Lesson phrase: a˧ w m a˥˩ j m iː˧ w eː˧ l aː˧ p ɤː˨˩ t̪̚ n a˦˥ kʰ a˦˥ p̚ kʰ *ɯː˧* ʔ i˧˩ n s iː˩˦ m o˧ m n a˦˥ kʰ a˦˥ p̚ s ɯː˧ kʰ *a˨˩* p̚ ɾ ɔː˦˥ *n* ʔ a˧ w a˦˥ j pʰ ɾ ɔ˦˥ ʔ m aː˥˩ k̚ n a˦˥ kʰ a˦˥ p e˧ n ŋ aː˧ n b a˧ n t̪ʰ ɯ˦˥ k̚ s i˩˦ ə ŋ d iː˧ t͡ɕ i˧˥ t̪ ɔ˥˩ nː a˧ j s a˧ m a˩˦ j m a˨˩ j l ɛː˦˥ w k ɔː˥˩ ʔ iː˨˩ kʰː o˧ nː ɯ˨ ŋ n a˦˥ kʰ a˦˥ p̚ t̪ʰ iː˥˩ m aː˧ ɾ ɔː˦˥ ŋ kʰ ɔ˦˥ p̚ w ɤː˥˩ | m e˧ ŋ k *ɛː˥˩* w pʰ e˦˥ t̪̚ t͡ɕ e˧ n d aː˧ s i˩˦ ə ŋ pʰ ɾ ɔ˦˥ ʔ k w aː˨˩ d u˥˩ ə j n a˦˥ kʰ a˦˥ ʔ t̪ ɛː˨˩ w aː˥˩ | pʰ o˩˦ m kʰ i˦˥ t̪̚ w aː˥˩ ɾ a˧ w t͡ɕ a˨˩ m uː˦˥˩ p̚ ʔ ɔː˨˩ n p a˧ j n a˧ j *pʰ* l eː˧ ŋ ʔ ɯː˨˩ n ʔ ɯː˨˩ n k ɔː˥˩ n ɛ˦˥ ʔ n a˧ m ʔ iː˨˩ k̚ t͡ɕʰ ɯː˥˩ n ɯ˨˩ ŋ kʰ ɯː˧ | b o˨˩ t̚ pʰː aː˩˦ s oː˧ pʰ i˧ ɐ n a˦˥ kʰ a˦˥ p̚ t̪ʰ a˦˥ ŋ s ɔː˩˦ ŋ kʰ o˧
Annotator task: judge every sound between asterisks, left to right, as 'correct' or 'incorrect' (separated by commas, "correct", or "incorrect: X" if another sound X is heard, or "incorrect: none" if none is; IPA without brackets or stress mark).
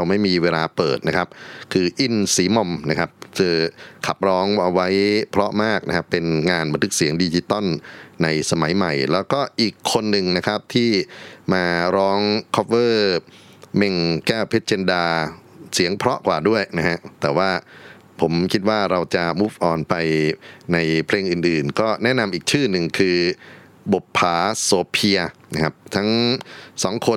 correct, correct, incorrect: ŋ, correct, correct